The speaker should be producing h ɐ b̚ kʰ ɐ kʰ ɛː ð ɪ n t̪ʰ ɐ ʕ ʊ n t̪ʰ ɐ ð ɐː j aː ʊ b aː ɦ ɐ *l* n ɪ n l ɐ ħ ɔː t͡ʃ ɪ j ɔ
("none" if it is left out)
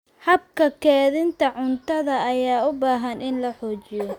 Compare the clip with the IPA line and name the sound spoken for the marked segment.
none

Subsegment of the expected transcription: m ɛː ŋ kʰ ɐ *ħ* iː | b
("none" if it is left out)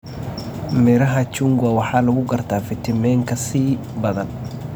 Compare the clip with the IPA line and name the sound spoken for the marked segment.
s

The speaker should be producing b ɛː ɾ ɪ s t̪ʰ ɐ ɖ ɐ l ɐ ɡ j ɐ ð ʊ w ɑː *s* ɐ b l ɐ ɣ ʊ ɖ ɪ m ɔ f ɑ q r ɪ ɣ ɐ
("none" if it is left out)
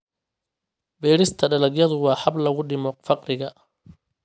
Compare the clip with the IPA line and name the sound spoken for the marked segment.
ħ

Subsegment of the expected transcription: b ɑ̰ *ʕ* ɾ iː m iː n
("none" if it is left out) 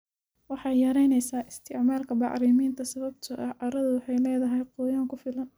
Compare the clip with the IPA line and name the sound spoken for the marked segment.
ʕ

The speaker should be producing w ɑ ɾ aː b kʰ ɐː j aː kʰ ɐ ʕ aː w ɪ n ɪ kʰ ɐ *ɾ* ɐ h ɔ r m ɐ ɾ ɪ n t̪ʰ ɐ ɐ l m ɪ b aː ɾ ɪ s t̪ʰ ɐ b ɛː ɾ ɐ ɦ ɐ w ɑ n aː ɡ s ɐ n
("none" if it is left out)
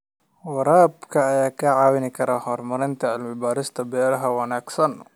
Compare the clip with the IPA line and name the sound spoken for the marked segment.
ɾ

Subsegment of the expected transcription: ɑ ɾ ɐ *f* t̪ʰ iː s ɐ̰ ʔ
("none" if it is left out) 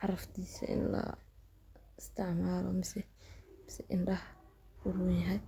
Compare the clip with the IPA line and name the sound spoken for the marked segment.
f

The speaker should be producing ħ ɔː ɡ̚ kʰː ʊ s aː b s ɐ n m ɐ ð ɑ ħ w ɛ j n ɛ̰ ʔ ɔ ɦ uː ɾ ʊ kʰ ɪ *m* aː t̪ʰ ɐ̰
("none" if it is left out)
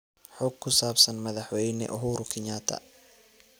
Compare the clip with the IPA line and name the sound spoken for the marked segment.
ɲ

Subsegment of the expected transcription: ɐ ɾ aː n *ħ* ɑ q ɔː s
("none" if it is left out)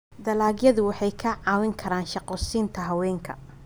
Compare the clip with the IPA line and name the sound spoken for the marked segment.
ʃ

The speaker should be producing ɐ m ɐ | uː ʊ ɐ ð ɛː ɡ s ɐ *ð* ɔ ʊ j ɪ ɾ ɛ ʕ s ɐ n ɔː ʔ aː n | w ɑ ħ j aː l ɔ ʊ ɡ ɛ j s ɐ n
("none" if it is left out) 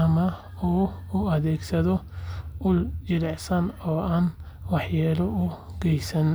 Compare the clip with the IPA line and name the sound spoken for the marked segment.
ð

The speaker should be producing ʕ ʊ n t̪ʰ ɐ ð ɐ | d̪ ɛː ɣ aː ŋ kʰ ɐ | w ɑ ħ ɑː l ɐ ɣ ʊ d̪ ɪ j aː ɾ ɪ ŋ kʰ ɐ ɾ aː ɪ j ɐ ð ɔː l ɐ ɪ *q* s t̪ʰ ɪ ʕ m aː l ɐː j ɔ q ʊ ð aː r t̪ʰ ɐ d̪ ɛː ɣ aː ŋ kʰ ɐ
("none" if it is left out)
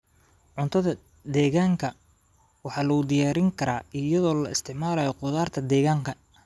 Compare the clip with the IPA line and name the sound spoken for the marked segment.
none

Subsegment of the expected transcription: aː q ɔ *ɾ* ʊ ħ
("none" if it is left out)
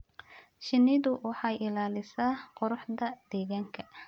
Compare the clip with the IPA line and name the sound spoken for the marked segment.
ɾ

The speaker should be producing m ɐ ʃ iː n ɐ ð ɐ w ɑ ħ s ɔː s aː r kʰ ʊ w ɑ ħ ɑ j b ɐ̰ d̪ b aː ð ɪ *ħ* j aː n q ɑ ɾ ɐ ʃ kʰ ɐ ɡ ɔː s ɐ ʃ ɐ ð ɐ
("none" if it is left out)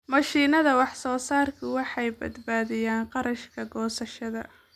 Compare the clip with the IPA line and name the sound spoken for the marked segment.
none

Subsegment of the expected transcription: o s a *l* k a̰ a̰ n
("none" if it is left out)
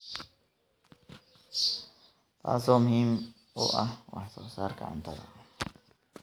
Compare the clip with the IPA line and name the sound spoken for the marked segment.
ɾ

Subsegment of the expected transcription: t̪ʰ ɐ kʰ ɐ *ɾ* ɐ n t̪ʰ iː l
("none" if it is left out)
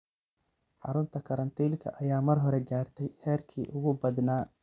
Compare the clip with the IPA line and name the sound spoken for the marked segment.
ɾ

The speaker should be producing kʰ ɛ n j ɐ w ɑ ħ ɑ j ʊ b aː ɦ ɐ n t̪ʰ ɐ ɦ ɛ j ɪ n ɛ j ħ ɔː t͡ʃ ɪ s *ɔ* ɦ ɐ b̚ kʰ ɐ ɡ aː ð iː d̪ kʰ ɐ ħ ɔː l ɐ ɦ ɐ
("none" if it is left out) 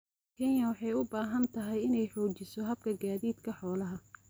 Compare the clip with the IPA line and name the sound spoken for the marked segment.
ɔ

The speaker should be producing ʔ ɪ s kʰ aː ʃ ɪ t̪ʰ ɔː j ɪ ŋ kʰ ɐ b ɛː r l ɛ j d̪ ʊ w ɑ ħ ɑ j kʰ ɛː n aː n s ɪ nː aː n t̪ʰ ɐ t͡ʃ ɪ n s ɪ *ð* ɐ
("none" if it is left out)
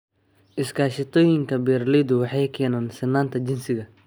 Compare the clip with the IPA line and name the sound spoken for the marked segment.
ɣ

